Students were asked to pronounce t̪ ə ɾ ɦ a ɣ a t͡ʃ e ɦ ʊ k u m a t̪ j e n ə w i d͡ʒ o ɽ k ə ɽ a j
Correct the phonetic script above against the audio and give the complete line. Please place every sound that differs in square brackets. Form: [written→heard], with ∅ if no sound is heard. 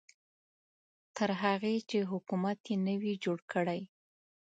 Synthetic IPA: t̪ ə ɾ ɦ a ɣ [a→e] t͡ʃ e ɦ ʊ k u m a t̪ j e n ə w i d͡ʒ o ɽ k ə ɽ a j